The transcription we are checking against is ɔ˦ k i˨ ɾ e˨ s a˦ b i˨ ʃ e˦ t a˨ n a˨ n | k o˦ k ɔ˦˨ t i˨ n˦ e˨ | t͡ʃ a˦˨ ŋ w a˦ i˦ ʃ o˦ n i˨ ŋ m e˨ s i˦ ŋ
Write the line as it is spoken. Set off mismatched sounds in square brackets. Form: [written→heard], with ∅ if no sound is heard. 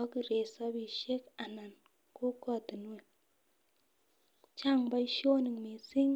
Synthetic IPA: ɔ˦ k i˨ ɾ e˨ s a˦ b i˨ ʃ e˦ [t→k] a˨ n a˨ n | k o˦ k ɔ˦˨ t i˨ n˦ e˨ | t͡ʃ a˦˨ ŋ [w→b] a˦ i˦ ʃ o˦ n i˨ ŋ m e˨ s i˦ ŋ